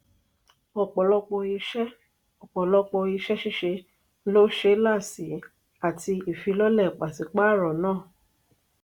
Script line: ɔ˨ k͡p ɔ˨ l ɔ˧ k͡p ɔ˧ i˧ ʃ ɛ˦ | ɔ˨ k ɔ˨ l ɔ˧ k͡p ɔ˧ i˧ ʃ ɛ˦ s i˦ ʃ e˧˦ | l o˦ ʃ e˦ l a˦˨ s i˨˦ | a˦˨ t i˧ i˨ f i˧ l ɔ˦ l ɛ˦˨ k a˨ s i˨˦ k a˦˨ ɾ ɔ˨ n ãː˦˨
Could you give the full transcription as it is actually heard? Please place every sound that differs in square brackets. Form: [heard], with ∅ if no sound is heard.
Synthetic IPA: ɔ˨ k͡p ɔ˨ l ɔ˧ k͡p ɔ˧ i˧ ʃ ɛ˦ | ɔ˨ [k͡p] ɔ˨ l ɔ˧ k͡p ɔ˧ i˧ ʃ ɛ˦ [ʃ] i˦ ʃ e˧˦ | l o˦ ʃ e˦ l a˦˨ s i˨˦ | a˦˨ t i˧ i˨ f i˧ l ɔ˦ l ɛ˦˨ [k͡p] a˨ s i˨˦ [k͡p] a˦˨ ɾ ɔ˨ n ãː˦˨